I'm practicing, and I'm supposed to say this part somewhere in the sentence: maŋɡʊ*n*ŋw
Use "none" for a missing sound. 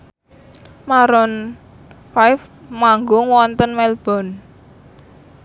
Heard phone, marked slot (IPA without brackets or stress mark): none